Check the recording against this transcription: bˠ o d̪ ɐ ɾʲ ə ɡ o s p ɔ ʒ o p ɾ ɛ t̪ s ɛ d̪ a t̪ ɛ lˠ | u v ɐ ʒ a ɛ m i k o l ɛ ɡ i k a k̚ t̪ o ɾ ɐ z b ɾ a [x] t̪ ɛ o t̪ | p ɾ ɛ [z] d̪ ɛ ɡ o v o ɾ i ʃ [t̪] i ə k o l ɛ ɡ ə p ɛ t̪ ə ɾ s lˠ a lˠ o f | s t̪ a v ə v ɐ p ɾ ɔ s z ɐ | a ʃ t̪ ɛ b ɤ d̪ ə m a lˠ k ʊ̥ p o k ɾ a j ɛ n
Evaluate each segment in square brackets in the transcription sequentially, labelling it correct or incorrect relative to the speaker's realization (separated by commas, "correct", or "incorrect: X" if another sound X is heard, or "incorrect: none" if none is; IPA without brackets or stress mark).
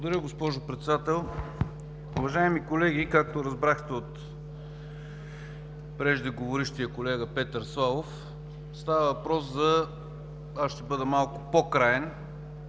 correct, incorrect: ʒ, correct